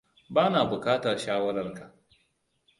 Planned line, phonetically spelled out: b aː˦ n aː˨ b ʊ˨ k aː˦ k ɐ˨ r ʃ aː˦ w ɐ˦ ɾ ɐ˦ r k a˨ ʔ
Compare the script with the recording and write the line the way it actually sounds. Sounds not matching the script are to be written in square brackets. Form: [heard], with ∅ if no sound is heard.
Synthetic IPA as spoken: b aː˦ n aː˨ b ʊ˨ k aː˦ [t] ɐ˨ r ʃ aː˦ w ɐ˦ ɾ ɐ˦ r k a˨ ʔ

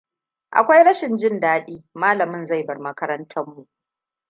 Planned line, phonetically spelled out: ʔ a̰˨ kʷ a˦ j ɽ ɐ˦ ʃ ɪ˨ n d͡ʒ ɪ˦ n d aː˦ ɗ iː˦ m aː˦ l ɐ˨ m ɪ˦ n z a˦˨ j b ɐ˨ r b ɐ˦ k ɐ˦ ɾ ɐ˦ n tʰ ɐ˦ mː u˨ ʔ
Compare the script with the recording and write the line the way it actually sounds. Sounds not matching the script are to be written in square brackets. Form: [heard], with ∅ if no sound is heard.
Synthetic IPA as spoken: ʔ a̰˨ kʷ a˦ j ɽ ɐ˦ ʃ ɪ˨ n d͡ʒ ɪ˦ n d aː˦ ɗ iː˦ m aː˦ l ɐ˨ m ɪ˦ n z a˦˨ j b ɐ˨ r [m] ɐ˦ k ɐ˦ ɾ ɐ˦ n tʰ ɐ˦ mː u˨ ʔ

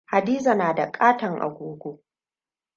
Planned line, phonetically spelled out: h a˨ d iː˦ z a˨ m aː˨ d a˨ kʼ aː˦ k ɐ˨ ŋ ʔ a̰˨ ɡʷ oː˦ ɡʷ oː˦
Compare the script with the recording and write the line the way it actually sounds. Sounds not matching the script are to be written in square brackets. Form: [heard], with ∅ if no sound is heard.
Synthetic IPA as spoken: h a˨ d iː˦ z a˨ [n] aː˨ d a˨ kʼ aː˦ [t] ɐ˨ ŋ ʔ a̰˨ ɡʷ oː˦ ɡʷ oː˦

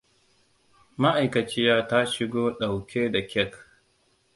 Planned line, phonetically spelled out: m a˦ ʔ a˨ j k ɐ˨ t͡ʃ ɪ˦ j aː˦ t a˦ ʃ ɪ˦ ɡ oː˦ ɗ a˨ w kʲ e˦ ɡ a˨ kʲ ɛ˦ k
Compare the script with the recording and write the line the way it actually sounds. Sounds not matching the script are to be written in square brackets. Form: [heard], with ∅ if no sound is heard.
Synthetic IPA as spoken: m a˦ ʔ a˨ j k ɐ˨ t͡ʃ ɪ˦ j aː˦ t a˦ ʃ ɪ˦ ɡ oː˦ ɗ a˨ w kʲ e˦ [d] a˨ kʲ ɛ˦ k

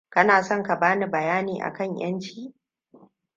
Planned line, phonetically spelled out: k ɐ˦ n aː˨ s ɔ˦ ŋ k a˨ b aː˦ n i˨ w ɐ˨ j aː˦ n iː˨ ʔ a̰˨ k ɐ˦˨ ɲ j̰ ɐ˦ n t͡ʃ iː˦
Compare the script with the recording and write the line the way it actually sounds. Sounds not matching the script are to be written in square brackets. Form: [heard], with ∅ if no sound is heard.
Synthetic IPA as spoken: k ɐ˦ n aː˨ s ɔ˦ ŋ k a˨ b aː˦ n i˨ [b] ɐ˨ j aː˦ n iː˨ ʔ a̰˨ k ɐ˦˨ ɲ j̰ ɐ˦ n t͡ʃ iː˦

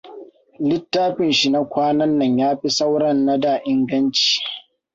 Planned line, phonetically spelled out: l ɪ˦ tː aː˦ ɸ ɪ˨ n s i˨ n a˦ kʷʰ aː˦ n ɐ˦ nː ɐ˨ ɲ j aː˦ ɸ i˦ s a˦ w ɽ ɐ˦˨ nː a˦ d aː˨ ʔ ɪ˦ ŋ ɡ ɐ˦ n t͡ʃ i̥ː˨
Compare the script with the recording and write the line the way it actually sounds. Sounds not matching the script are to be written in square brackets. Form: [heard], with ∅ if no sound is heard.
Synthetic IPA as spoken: l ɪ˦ tː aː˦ ɸ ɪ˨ n [ʃ] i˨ n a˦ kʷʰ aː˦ n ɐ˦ nː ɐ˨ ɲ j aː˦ ɸ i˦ s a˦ w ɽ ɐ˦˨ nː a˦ d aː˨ ʔ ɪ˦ ŋ ɡ ɐ˦ n t͡ʃ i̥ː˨

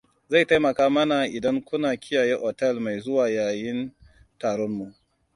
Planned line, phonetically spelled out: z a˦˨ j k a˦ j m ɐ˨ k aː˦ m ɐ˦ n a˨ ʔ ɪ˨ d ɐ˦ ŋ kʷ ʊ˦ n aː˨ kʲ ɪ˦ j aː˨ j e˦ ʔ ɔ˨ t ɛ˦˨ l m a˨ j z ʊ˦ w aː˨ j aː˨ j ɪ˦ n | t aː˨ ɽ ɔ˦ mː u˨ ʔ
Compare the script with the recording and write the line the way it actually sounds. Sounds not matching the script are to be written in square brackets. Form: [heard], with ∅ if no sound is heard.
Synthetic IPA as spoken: z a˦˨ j [t] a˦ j m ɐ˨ k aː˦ m ɐ˦ n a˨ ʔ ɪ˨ d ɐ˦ ŋ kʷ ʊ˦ n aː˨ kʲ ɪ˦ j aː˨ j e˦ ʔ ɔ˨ t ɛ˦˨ l m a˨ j z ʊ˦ w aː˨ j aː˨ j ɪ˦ n | t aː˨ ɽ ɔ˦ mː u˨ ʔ

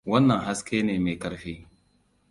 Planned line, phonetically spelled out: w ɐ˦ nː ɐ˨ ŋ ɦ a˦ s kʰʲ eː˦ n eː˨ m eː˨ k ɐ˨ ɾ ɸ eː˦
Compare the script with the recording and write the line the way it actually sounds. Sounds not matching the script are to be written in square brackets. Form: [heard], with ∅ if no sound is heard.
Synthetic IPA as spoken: w ɐ˦ nː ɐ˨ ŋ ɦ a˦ s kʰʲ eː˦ n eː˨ m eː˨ k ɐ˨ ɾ ɸ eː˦

